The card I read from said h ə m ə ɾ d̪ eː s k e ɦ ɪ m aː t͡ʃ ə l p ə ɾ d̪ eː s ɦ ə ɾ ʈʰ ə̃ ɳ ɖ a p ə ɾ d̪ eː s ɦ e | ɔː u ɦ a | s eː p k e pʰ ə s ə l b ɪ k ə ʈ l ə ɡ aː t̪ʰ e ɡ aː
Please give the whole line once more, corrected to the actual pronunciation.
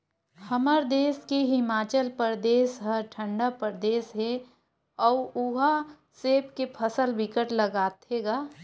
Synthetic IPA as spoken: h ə m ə ɾ d̪ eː s k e ɦ ɪ m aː t͡ʃ ə l p ə ɾ d̪ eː s ɦ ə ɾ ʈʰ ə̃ ɳ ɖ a p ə ɾ d̪ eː s ɦ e | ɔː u ɦ a | s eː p k e pʰ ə s ə l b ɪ k ə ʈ l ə ɡ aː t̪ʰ e ɡ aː